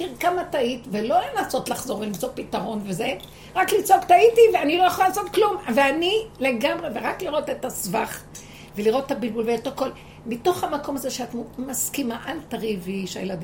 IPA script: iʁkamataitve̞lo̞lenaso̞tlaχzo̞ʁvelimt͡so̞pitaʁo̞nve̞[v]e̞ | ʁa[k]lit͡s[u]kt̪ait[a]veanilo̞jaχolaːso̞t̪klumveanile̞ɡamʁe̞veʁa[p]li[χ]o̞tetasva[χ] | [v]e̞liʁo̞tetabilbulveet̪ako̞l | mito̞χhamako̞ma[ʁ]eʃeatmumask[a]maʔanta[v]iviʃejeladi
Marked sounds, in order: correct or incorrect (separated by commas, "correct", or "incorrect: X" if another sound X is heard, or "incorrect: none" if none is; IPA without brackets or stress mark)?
incorrect: z, correct, incorrect: o, incorrect: i, incorrect: k, incorrect: ʁ, correct, correct, incorrect: z, incorrect: i, incorrect: ʁ